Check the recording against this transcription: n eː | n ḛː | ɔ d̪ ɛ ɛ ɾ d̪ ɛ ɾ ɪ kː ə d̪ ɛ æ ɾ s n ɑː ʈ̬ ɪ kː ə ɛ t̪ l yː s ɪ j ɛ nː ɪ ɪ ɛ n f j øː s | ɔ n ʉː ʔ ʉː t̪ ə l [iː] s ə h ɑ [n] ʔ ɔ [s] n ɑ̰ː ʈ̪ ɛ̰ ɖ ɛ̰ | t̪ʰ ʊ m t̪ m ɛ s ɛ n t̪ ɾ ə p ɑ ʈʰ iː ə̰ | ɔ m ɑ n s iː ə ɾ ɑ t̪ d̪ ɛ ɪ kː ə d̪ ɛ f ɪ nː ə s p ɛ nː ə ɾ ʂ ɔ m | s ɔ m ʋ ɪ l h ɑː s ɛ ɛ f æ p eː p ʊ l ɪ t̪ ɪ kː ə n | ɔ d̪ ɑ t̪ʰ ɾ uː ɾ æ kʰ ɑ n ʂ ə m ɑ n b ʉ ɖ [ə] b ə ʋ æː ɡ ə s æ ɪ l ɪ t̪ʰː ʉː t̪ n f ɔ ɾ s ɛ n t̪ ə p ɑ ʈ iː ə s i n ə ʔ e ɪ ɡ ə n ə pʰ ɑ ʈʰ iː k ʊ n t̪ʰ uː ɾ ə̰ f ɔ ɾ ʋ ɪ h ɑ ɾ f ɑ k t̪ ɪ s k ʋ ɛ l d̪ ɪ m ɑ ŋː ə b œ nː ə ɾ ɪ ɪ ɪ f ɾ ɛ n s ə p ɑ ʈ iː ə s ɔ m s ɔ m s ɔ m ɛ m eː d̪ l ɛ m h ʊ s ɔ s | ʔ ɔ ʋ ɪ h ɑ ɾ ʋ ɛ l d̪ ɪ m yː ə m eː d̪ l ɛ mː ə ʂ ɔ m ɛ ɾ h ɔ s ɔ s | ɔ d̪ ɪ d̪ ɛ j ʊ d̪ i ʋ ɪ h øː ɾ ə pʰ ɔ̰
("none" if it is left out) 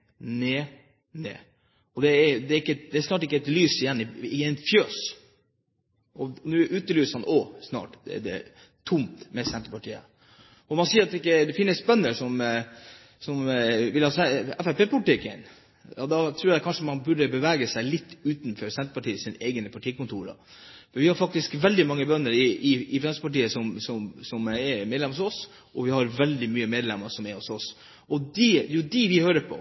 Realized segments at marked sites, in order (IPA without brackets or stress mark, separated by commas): yː, n, s, ə